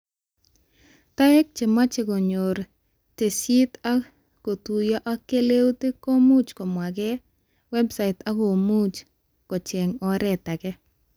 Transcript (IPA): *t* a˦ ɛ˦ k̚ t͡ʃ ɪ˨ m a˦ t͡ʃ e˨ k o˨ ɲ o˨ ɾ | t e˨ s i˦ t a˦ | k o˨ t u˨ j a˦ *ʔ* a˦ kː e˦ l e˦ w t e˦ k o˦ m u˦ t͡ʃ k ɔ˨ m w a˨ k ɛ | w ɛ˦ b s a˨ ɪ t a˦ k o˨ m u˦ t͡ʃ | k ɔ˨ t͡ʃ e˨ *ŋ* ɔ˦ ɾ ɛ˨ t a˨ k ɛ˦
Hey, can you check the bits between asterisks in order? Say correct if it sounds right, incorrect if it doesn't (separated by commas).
correct, correct, correct